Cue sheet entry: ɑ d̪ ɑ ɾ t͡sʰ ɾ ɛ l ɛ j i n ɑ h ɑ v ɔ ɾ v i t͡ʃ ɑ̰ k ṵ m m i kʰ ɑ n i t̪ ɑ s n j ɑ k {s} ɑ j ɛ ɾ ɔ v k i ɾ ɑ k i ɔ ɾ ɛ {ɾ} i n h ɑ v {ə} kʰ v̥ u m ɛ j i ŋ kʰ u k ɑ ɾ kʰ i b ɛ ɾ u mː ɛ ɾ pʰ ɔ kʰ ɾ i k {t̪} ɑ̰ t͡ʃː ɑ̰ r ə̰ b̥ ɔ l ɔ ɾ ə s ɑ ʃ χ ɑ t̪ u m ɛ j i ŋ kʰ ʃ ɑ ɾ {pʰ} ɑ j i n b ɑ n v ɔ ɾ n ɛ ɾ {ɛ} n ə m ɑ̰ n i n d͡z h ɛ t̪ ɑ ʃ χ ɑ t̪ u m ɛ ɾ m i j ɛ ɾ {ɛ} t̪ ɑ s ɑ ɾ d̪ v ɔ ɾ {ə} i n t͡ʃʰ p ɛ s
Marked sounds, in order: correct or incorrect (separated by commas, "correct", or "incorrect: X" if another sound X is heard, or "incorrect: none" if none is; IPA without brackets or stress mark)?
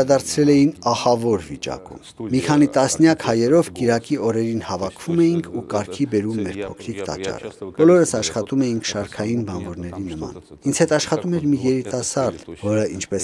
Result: incorrect: h, correct, incorrect: ɑ, correct, incorrect: kʰ, incorrect: i, incorrect: i, correct